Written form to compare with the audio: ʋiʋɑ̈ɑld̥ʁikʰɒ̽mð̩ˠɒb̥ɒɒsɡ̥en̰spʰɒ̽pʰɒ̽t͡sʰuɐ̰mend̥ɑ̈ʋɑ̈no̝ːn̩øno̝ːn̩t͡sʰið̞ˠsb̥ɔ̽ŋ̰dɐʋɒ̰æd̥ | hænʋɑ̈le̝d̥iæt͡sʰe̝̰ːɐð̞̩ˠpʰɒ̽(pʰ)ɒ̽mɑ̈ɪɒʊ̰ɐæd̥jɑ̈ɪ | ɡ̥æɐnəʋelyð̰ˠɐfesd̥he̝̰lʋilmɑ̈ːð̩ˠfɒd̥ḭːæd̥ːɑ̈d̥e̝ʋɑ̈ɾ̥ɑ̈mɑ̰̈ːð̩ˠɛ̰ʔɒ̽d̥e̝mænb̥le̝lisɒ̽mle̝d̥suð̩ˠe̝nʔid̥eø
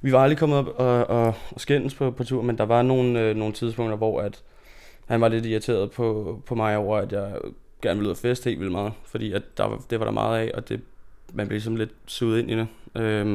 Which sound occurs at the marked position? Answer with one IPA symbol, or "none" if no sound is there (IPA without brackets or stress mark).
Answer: pʰ